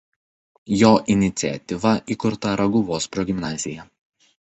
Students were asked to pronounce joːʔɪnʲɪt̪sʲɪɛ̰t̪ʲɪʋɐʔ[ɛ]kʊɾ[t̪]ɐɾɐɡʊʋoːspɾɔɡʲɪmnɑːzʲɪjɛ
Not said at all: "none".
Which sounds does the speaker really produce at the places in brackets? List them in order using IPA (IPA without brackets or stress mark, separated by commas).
i, t̪